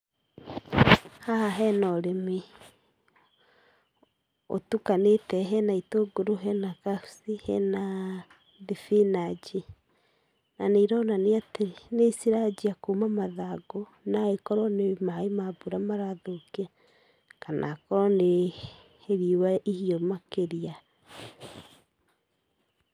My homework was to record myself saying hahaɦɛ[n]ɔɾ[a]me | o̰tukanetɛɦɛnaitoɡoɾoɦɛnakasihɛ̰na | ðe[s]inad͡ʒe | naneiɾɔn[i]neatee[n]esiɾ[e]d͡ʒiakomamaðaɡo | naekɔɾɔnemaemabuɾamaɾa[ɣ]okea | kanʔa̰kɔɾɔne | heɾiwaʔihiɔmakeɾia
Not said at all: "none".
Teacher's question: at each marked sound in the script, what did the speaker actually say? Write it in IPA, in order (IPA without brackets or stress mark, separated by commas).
n, e, f, a, n, a, ð